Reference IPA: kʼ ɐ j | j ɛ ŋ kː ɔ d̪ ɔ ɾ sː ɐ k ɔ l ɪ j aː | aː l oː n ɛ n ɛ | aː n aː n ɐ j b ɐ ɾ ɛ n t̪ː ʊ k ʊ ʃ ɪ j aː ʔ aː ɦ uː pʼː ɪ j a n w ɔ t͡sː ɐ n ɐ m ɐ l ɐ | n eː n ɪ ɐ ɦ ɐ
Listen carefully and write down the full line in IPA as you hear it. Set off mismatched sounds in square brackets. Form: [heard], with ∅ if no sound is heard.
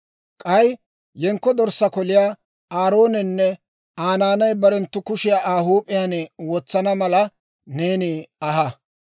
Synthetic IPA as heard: kʼ ɐ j | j ɛ ŋ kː ɔ d̪ ɔ ɾ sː ɐ k ɔ l ɪ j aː | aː [ɾ] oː n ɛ [nː] ɛ | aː n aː n ɐ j b ɐ ɾ ɛ n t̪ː ʊ k ʊ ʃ ɪ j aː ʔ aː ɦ uː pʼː ɪ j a n w ɔ t͡sː ɐ n ɐ m ɐ l ɐ | n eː n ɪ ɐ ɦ ɐ